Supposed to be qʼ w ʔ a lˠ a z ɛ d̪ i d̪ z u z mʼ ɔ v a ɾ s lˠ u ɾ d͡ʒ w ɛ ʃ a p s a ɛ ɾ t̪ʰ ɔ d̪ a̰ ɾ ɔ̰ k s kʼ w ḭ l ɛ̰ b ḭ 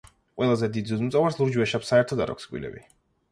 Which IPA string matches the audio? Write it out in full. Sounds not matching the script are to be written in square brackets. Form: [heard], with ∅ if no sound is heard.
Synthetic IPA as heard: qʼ w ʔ [ɛ] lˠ a z ɛ d̪ i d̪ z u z mʼ ɔ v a ɾ s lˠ u ɾ d͡ʒ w ɛ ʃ a p s a ɛ ɾ t̪ʰ ɔ d̪ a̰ ɾ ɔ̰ k s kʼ w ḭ l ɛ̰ b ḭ